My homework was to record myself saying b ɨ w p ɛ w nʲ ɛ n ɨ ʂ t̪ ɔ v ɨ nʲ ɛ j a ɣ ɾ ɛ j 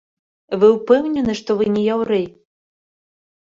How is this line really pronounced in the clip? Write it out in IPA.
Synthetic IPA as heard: v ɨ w p ɛ w nʲ ɛ n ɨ ʂ t̪ ɔ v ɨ nʲ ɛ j a w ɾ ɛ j